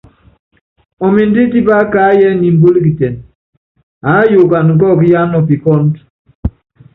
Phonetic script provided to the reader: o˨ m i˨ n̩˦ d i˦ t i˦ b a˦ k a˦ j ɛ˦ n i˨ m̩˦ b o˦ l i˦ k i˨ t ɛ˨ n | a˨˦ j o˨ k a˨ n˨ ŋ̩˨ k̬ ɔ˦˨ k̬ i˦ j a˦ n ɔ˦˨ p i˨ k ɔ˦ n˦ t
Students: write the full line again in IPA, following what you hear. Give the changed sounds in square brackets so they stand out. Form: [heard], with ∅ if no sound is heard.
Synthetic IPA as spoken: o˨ m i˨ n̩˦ d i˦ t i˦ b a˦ k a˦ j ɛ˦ n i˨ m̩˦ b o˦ l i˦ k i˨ t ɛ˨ n | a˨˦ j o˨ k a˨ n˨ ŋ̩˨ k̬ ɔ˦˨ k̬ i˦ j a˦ n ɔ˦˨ p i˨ k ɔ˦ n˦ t